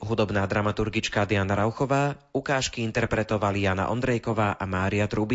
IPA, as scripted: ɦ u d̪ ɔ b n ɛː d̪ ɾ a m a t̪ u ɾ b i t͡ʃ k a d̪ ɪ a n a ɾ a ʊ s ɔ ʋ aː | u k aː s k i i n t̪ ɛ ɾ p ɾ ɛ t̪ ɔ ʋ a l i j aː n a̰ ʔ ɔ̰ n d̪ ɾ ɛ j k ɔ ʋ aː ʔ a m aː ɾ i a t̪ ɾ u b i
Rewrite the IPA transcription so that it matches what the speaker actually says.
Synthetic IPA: ɦ u d̪ ɔ b n aː d̪ ɾ a m a t̪ u ɾ ɡ i t͡ʃ k a d̪ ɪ a n a ɾ a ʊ x ɔ ʋ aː | u k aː ʃ k i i n t̪ ɛ ɾ p ɾ ɛ t̪ ɔ ʋ a l i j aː n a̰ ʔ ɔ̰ n d̪ ɾ ɛ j k ɔ ʋ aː ʔ a m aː ɾ i a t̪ ɾ u b i